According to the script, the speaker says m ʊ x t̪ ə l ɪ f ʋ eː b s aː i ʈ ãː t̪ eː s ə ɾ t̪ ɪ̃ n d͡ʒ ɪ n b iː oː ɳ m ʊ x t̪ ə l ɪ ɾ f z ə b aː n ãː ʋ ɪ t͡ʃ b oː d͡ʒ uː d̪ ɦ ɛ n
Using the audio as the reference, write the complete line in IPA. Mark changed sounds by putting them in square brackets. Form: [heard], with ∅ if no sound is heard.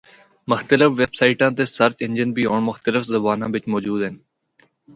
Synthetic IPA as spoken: m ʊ x t̪ ə l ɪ f ʋ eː b s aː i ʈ ãː t̪ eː s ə ɾ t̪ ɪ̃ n d͡ʒ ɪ n b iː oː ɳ m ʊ x t̪ ə l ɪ [∅] f z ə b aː n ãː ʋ ɪ t͡ʃ [m] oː d͡ʒ uː d̪ ɦ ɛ n